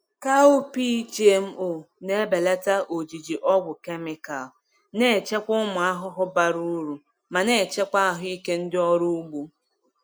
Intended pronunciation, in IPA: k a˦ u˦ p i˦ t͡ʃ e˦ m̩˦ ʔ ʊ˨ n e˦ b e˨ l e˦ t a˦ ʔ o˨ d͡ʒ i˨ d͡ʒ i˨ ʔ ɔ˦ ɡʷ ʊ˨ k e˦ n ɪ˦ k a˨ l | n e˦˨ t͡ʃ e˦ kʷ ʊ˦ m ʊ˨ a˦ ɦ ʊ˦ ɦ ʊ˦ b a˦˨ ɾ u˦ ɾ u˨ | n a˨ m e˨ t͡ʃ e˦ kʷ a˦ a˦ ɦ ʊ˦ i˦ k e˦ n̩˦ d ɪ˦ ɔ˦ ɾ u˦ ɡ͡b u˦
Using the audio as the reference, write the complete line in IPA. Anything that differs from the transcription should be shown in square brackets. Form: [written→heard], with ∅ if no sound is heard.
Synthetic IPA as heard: k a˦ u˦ p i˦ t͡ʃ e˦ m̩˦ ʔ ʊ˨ n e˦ b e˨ l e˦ t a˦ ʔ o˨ d͡ʒ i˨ d͡ʒ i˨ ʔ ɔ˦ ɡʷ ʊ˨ k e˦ [n→m] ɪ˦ k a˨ l | n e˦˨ t͡ʃ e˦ kʷ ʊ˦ m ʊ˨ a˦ ɦ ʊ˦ ɦ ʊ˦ b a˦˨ ɾ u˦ ɾ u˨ | [n→m] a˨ [m→n] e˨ t͡ʃ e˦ kʷ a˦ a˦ ɦ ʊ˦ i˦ k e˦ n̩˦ d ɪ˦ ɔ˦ ɾ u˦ ɡ͡b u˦